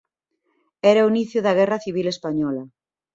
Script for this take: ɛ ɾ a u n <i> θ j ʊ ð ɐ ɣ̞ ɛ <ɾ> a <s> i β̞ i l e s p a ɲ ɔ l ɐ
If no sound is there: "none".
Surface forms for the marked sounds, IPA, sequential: i, r, θ

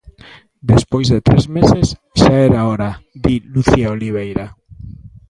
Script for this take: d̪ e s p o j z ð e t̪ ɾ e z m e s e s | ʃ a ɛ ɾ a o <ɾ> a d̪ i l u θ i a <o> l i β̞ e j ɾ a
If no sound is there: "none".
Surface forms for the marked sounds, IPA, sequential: ɾ, o

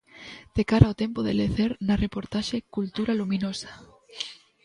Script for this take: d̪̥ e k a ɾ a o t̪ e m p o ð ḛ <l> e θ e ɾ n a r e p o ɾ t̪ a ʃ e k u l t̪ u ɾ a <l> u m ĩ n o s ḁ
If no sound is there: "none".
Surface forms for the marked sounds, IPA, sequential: l, l

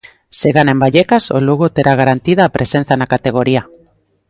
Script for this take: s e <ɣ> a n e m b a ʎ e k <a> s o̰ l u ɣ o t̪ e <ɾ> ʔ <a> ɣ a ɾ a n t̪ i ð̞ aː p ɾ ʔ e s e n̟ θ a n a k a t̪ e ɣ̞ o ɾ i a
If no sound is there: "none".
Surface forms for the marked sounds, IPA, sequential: ɣ, a, ɾ, a

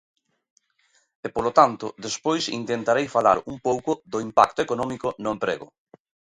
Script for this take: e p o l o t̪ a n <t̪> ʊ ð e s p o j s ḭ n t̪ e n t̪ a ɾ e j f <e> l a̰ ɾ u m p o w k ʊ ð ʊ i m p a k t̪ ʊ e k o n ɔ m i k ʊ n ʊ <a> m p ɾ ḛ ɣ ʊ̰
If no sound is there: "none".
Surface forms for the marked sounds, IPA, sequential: t̪, a, e

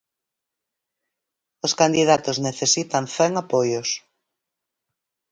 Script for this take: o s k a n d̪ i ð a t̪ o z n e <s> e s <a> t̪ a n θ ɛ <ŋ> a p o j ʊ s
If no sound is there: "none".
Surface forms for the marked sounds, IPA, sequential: θ, i, ŋ

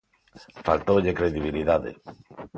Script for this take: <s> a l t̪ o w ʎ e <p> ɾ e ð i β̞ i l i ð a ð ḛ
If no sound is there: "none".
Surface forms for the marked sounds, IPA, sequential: f, k

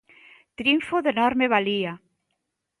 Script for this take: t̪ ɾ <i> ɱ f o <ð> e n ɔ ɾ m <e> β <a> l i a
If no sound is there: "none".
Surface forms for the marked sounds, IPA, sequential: i, ð, e, a

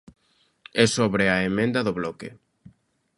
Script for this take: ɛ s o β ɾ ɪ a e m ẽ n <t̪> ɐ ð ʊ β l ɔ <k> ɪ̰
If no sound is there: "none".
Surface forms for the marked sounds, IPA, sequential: d̪, k

